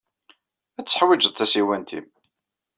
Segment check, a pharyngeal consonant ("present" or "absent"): present